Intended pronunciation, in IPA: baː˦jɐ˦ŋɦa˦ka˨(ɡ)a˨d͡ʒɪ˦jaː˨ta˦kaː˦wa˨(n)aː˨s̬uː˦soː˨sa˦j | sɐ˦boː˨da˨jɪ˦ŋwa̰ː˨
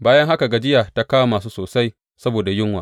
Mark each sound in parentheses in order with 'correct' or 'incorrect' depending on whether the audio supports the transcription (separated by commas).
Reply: correct, incorrect